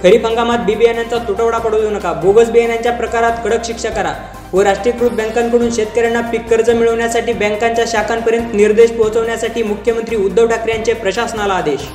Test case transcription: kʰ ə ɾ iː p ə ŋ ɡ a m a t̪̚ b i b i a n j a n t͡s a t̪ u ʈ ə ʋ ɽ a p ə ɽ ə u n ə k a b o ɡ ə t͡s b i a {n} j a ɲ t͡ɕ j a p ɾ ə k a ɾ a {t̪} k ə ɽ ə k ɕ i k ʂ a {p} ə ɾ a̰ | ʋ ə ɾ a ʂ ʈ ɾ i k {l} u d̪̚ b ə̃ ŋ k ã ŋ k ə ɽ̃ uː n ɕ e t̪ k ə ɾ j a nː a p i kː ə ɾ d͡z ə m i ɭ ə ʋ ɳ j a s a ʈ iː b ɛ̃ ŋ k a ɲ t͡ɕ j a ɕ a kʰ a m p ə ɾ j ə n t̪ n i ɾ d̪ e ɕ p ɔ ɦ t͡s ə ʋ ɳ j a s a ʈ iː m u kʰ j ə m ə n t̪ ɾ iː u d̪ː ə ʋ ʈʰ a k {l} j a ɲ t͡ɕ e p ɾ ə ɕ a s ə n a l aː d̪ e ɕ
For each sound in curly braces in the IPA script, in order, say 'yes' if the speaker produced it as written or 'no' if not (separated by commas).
yes, yes, no, no, no